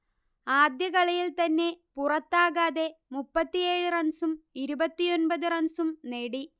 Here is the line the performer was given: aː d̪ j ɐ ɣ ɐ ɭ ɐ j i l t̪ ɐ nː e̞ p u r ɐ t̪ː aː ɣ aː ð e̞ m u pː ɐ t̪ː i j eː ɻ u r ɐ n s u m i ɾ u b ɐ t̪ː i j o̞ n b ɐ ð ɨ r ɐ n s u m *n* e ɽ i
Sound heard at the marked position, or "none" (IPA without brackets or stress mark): n